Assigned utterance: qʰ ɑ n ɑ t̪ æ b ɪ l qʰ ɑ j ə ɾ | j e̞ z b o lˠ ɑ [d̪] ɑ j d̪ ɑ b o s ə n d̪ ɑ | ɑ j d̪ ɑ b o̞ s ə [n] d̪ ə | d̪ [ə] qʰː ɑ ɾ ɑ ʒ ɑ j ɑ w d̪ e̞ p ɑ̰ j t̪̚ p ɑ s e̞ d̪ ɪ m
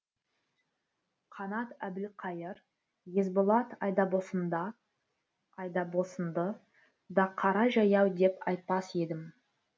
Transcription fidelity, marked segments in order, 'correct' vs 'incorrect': incorrect, correct, incorrect

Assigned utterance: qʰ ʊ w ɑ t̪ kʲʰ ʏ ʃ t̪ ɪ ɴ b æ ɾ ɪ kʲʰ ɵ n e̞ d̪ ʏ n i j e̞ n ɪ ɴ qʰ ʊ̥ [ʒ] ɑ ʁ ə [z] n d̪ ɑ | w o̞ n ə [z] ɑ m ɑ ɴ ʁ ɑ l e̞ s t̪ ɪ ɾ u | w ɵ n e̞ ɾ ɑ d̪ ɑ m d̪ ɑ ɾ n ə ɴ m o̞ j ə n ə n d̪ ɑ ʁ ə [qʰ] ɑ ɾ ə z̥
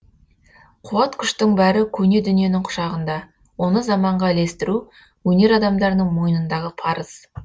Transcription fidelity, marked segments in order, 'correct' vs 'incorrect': incorrect, incorrect, correct, incorrect

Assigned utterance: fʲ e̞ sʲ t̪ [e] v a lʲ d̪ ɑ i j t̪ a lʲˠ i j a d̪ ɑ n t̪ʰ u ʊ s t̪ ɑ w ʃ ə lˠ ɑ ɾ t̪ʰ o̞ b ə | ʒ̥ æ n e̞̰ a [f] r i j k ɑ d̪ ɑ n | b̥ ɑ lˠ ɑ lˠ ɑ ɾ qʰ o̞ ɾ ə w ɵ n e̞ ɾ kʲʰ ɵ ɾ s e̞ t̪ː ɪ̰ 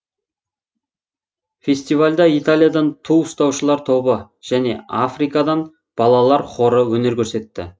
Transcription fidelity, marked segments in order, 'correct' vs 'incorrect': incorrect, correct

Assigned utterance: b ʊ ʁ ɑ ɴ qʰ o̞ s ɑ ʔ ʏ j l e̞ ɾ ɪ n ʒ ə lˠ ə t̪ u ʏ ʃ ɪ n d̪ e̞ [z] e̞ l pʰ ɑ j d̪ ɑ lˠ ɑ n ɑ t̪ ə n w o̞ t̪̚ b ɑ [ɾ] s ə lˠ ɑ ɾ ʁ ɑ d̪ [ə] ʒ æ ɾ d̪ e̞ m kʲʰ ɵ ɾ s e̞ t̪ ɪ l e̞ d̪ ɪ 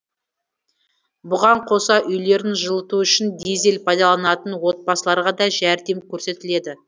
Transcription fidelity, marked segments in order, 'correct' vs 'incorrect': correct, incorrect, incorrect

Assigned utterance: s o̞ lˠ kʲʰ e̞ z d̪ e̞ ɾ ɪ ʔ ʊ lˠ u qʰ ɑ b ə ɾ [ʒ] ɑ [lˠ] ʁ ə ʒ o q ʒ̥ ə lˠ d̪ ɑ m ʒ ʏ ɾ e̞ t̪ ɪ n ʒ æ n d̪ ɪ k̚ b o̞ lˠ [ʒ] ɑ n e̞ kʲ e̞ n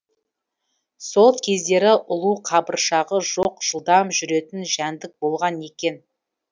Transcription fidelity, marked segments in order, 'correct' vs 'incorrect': incorrect, incorrect, incorrect

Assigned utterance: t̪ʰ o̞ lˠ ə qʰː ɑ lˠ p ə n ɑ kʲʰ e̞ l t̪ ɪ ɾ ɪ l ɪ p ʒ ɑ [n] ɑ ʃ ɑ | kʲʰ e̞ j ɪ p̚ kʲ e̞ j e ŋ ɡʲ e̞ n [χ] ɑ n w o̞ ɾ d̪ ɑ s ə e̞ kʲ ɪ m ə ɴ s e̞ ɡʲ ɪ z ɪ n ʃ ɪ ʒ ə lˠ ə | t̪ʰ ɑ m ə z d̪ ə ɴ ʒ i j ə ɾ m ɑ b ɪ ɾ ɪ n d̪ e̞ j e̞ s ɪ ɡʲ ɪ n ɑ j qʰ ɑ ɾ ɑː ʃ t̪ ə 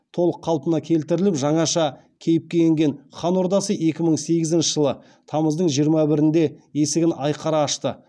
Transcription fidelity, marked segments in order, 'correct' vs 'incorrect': incorrect, correct

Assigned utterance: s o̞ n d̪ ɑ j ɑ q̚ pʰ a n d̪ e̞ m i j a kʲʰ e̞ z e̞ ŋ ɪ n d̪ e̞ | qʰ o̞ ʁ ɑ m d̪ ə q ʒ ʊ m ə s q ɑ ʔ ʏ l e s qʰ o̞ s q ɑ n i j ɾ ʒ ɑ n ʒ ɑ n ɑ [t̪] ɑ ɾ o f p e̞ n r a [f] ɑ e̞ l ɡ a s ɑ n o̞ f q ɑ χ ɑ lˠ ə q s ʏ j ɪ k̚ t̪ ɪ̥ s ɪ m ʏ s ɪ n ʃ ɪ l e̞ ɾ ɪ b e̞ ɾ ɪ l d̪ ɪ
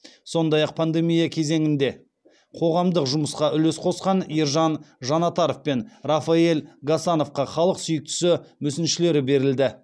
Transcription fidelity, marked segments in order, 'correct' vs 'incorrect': correct, correct

